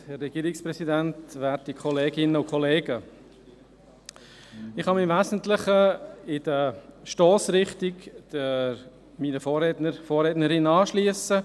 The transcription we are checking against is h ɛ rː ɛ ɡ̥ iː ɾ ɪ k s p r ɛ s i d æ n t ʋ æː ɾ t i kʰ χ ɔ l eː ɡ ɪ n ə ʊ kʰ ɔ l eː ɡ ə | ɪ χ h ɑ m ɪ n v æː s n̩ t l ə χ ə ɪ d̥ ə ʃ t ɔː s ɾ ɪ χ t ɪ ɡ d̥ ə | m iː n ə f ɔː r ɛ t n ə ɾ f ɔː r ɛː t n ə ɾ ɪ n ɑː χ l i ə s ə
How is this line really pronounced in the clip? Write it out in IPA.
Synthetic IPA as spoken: h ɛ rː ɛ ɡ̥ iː ɾ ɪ k s p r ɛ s i d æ n t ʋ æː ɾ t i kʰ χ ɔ l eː ɡ ɪ n ə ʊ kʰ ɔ l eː ɡ ə | ɪ χ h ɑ m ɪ m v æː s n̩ t l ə χ ə ɪ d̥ ə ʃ t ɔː s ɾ ɪ χ t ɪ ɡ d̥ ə | m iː n ə f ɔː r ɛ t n ə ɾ f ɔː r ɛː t n ə ɾ ɪ n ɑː ʃ l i ə s ə